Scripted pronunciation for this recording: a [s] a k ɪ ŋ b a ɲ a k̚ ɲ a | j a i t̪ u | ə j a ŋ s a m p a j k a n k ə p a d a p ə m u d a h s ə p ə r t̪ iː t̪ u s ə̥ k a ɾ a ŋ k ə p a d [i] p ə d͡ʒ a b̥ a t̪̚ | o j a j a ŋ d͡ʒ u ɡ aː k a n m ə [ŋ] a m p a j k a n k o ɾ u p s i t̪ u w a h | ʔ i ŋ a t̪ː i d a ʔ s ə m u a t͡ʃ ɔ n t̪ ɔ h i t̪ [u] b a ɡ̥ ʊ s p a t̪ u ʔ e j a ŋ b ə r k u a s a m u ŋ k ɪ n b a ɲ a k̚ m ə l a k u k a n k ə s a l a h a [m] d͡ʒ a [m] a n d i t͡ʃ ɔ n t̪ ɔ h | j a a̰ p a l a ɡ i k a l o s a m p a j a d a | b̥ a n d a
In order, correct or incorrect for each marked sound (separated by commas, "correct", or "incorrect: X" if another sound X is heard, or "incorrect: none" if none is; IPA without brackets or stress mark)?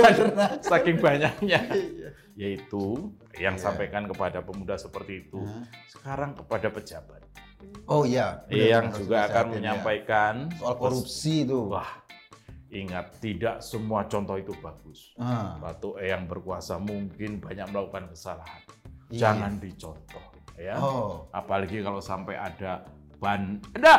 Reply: correct, incorrect: a, incorrect: ɲ, correct, incorrect: n, incorrect: ŋ